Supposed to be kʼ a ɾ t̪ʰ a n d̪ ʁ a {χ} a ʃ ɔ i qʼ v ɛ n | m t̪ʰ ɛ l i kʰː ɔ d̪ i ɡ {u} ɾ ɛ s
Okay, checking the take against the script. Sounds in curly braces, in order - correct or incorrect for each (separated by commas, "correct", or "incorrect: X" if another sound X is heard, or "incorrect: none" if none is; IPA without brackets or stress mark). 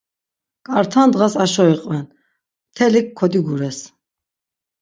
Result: incorrect: s, correct